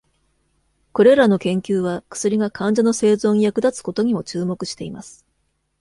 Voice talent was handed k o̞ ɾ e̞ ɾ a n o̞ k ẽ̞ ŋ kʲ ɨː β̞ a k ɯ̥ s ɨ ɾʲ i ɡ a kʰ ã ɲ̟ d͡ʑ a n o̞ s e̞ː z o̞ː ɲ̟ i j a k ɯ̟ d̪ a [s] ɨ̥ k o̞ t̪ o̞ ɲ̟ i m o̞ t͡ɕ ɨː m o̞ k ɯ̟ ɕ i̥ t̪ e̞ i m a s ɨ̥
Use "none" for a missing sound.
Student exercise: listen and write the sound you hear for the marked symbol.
t͡s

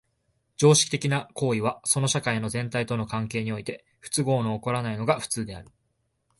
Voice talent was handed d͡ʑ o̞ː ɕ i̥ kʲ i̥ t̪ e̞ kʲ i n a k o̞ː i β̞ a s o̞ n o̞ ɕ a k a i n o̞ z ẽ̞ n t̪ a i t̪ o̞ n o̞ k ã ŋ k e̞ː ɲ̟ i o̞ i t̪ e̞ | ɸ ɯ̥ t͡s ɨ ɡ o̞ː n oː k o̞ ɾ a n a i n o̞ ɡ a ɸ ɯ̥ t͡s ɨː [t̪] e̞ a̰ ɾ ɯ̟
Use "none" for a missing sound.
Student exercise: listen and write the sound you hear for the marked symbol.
d̪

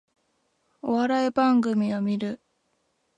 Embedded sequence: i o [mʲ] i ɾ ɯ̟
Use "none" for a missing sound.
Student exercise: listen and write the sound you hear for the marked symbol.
mʲ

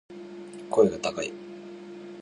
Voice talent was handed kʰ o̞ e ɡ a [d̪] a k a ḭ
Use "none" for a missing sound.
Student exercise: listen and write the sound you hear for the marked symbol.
t̪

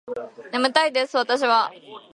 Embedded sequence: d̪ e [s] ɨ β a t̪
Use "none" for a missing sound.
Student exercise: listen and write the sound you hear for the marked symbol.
s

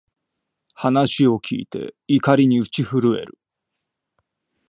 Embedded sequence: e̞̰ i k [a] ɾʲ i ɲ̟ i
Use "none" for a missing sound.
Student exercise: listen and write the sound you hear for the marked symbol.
a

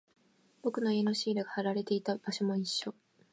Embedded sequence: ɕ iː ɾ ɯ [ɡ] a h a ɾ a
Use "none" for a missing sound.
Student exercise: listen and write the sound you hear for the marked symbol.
ɡ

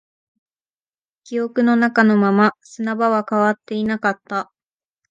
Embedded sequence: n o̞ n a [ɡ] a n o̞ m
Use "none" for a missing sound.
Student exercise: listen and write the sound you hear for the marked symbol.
k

